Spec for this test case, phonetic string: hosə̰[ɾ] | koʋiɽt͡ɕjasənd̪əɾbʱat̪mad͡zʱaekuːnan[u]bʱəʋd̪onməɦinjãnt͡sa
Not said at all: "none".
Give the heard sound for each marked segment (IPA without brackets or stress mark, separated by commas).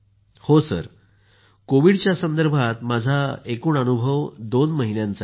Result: ɾ, u